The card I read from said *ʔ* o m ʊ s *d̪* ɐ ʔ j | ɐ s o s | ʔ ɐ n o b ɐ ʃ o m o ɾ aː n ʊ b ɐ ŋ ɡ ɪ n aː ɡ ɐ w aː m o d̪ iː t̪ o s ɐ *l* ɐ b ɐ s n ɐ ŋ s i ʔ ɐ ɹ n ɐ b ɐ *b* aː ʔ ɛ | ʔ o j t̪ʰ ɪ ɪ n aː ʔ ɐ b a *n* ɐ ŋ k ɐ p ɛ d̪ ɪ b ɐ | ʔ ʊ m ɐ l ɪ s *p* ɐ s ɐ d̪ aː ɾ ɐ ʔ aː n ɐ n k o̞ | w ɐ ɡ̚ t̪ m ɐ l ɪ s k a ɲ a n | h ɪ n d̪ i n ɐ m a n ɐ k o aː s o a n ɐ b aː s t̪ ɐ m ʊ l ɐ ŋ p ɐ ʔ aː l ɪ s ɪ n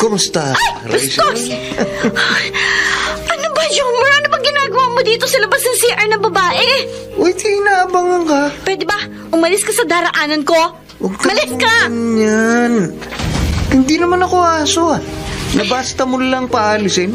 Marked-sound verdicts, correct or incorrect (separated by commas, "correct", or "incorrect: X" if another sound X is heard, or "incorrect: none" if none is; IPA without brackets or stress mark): incorrect: k, incorrect: t̪, correct, correct, incorrect: ŋ, incorrect: k